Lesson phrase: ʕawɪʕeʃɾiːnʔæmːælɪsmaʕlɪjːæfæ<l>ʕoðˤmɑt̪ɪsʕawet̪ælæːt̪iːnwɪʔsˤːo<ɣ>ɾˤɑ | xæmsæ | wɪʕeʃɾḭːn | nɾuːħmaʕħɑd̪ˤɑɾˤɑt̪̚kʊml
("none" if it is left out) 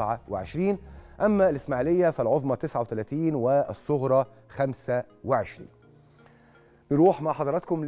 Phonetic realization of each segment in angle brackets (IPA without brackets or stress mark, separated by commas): l, ɣ